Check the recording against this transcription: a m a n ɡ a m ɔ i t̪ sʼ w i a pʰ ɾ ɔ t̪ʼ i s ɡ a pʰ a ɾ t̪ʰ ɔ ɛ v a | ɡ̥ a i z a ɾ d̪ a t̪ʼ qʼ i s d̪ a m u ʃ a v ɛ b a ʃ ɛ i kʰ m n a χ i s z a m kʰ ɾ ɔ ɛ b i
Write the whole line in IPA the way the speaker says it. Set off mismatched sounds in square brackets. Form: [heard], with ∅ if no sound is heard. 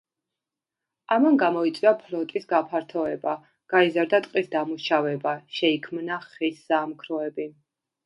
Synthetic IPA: a m a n ɡ a m ɔ i t̪ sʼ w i a pʰ [l] ɔ t̪ʼ i s ɡ a pʰ a ɾ t̪ʰ ɔ ɛ [b] a | ɡ̥ a i z a ɾ d̪ a t̪ʼ qʼ i s d̪ a m u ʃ a v ɛ b a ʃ ɛ i kʰ m n a χ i s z a m kʰ ɾ ɔ ɛ b i